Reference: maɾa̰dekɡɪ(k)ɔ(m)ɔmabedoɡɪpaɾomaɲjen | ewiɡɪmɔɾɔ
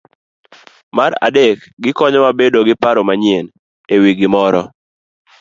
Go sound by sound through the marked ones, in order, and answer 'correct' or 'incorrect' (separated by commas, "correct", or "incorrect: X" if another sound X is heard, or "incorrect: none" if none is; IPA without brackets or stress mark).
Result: correct, incorrect: ɲ